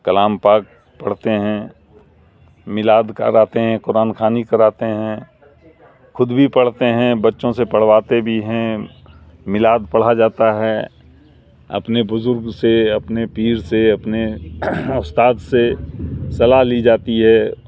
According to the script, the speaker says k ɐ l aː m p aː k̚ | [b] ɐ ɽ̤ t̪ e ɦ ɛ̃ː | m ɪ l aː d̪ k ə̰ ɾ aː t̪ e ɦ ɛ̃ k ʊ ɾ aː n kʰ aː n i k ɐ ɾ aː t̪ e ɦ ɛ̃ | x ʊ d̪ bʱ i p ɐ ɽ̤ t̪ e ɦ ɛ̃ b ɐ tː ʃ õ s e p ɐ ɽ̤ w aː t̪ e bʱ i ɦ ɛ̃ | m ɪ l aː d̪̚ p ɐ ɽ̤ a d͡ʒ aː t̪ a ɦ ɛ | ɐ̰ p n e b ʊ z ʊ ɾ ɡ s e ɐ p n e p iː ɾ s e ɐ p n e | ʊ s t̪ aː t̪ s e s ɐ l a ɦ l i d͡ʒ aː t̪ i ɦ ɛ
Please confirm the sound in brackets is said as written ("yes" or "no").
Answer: no